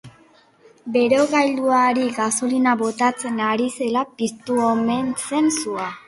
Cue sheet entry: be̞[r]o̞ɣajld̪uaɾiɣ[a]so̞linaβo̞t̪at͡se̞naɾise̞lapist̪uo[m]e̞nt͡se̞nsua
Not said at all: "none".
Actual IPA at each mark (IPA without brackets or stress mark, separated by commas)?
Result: ɾ, a, m